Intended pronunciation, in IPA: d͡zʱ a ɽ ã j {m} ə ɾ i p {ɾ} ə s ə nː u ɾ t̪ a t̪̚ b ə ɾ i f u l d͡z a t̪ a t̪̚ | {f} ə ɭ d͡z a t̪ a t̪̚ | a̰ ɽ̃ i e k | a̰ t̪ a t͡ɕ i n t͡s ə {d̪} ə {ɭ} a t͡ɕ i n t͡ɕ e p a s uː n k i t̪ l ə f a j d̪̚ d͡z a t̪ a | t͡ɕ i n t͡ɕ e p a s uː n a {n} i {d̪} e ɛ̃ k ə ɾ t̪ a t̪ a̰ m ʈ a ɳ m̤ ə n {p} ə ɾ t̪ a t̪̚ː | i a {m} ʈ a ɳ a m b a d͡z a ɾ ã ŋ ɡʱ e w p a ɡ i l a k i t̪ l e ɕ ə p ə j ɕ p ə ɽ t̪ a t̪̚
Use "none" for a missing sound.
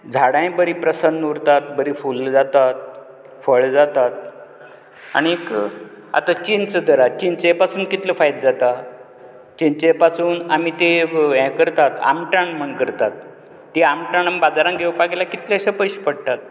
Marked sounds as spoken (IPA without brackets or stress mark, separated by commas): b, ɾ, f, d̪, ɾ, m, t̪, k, m